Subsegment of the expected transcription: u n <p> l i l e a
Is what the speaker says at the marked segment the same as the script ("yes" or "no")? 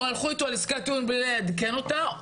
no